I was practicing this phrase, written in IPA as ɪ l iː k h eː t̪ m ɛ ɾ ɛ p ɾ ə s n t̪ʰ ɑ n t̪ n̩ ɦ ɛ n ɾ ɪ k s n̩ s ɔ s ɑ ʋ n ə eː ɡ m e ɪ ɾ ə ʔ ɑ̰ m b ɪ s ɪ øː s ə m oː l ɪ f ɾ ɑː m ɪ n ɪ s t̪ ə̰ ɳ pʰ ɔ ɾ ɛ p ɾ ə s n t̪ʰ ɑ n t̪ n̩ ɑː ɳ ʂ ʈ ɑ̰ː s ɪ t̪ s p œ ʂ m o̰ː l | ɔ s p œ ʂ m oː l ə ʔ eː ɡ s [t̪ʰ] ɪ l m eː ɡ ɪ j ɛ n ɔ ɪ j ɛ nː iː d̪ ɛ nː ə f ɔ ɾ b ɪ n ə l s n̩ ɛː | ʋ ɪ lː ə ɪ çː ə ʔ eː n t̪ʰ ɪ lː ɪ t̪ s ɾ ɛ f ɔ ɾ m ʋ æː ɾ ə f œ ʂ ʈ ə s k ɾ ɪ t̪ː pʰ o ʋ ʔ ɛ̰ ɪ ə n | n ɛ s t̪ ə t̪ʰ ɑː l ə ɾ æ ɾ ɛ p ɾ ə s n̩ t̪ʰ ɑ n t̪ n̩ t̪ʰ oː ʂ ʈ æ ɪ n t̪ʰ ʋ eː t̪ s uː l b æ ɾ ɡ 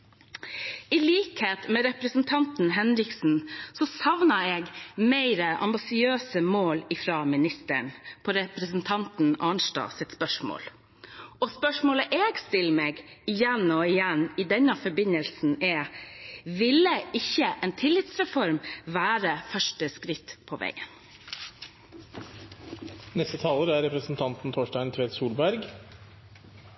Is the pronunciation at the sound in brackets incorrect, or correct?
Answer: incorrect